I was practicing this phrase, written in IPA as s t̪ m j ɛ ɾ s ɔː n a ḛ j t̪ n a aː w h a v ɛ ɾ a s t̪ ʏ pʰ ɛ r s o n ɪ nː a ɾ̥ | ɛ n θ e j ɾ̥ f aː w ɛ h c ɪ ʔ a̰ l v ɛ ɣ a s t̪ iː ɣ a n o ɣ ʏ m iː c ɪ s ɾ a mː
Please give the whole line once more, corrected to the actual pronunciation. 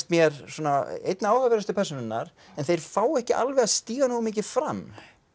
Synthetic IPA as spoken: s t̪ m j ɛ ɾ s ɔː n a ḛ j t̪ n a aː w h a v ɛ ɾ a s t̪ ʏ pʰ ɛ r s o n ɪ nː a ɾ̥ | ɛ n θ e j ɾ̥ f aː w ɛ h c ɪ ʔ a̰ l v ɛ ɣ a s t̪ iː ɣ a n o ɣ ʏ m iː c ɪ f ɾ a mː

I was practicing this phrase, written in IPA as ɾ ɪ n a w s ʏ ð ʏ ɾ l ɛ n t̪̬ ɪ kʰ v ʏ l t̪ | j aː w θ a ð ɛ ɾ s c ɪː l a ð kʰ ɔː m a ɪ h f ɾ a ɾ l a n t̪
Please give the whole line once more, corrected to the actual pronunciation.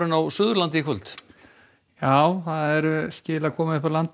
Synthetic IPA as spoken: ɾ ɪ n a w s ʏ ð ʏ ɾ l a n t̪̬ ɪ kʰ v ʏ l t̪ | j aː w θ a ð ɛ ɾ s c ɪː l a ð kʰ ɔː m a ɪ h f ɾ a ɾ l a n t̪

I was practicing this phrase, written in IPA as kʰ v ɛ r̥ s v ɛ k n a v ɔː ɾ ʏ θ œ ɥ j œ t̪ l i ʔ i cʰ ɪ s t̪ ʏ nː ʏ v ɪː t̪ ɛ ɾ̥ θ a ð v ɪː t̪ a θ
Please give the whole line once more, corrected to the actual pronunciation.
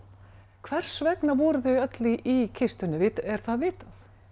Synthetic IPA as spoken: kʰ v ɛ r̥ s v ɛ k n a v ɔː ɾ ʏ θ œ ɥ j œ t̪ l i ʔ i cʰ ɪ s t̪ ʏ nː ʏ v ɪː t̪ ɛ ɾ̥ θ a ð v ɪː t̪ a θ

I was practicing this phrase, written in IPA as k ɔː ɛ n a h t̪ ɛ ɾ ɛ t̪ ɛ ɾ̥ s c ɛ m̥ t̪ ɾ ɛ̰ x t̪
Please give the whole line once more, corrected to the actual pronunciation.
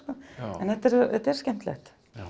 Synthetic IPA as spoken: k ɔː ɛ n ɛ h t̪ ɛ ɾ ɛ t̪ ɛ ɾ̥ s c ɛ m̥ t̪ l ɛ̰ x t̪

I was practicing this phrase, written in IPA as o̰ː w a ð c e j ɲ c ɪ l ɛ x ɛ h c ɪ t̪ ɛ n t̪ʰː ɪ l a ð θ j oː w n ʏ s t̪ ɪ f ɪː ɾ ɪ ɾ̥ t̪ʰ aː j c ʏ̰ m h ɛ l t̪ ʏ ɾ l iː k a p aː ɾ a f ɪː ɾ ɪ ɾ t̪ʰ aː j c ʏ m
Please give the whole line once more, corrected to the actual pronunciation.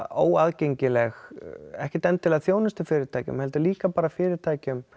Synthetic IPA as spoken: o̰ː w a ð c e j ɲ c ɪ l ɛ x ɛ h c ɪ t̪ ɛ n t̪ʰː ɪ l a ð θ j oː w n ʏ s t̪ ɪ f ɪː ɾ ɪ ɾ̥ t̪ʰ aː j c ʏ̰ m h ɛ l t̪ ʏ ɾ l iː k a p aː ɾ a f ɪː ɾ ɪ ɾ t̪ʰ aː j c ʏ m

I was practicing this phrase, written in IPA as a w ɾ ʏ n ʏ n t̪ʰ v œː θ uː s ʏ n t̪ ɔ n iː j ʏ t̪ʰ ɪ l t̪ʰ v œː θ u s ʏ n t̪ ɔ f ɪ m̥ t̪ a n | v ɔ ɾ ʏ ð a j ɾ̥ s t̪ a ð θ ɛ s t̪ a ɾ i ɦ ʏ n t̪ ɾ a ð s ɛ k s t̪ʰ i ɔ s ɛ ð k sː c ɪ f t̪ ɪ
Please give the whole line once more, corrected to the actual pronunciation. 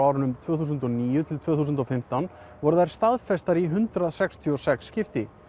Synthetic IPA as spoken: a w ɾ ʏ n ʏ m t̪ʰ v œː θ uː s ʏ n t̪ ɔ n iː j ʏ t̪ʰ ɪ l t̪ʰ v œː θ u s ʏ n t̪ ɔ f ɪ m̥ t̪ a n | v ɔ ɾ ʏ ð a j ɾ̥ s t̪ a ð f ɛ s t̪ a ɾ i ɦ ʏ n t̪ ɾ a ð s ɛ k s t̪ʰ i ɔ s ɛ k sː c ɪ f t̪ ɪ

